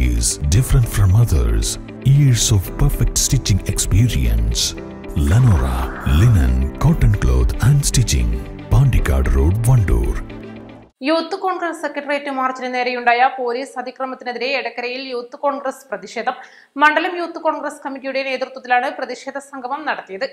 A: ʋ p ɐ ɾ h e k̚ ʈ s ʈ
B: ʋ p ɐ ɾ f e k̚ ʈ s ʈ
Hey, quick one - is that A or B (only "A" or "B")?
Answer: B